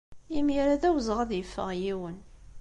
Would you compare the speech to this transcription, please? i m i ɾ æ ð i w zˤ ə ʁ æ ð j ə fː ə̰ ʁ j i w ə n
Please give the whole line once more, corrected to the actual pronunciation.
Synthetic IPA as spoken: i m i ɾ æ ð æ w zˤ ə ʁ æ ð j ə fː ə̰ ʁ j i w ə n

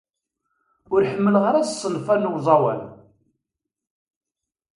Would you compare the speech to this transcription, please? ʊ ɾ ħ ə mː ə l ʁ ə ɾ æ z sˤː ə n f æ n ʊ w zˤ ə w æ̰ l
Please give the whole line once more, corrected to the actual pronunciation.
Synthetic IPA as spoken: ʊ ɾ ħ ə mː ə l ʁ ə ɾ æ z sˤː ə n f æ n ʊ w zˤ ɑ w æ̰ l

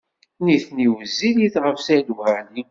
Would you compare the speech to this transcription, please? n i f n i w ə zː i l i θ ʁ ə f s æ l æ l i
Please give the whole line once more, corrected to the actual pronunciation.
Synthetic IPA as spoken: n i θ n i w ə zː i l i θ ʁ ə f s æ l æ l i

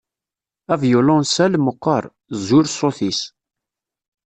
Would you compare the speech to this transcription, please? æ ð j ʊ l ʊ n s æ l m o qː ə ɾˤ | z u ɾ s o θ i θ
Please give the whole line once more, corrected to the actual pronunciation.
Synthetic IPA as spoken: æ v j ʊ l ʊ n s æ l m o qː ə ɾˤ | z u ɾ s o θ i s

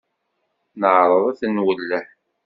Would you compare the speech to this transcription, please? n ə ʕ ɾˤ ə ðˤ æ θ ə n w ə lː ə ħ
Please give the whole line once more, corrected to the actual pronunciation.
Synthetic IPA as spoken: n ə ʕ ɾˤ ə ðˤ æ θ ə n w ə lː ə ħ

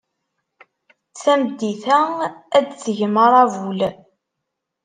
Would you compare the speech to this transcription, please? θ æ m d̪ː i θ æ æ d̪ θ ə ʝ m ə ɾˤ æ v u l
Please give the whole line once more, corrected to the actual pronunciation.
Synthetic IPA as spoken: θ æ m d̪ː i θ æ æ d̪ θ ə ʝ m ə ɾˤ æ v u l

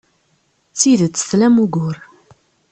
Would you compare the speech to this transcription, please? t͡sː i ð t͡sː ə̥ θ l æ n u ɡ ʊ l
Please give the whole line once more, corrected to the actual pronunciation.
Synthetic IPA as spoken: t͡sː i ð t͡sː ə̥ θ l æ m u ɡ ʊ ɾ

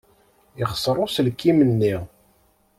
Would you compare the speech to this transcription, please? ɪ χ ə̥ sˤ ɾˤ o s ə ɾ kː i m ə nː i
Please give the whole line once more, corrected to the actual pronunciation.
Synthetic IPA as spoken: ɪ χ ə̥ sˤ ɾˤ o s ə l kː i m ə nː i

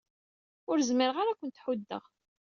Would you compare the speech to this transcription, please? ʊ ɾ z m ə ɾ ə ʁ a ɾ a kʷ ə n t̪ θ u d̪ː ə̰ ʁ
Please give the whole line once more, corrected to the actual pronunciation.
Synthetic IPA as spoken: ʊ ɾ z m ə ɾ ə ʁ a ɾ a kʷ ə n t̪ ħ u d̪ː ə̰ ʁ

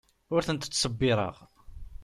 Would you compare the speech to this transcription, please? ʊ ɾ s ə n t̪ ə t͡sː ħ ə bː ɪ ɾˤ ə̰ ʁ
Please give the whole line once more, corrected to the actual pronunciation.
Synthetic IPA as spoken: ʊ ɾ θ ə n t̪ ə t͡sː s ə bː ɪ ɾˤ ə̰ ʁ

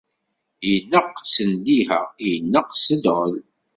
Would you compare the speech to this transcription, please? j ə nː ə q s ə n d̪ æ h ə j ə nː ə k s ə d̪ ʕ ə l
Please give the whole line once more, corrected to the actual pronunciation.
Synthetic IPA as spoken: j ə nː ə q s ə n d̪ i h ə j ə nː ə q s ə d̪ ʁ ə l

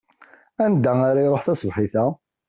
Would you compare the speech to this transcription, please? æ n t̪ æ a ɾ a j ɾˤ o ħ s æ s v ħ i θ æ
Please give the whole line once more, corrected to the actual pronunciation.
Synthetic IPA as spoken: æ n d̪ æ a ɾ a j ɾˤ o ħ θ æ s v ħ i θ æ

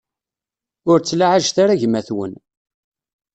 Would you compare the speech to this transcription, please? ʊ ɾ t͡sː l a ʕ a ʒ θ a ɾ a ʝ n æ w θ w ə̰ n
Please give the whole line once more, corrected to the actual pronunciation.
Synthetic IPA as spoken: ʊ ɾ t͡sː l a ʕ a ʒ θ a ɾ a ʝ m æ θ w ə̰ n

